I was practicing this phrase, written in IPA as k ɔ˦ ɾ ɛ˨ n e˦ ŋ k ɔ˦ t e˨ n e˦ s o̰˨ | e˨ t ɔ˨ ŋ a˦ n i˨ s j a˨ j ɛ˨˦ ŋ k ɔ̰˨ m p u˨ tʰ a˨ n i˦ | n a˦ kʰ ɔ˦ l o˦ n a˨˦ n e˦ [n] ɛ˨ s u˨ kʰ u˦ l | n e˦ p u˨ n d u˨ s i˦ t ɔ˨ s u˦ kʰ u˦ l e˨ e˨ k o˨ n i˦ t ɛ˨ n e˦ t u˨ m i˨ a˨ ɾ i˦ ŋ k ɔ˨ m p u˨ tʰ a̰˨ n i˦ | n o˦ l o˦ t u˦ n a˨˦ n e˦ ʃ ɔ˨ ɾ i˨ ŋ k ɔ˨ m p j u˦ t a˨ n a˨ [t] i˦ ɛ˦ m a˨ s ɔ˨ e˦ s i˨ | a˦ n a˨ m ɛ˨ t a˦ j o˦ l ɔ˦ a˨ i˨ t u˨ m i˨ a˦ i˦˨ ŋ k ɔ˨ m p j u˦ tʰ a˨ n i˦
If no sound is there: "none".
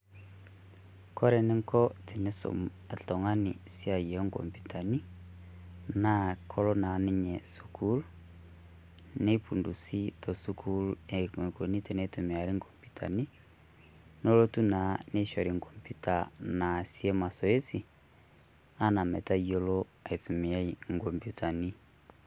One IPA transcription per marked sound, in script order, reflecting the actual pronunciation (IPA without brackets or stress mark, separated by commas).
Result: ɲ, s